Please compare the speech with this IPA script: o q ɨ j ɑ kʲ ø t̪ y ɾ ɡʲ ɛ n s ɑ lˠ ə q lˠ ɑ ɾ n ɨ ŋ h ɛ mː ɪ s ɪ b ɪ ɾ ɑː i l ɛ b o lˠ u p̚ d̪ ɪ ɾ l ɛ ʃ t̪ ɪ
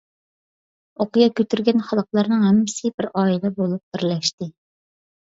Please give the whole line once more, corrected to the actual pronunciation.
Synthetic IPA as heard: o q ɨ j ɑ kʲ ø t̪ y ɾ ɡʲ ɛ n χ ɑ lˠ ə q lˠ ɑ ɾ n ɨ ŋ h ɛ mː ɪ s ɪ b ɪ ɾ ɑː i l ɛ b o lˠ u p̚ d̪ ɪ ɾ l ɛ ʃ t̪ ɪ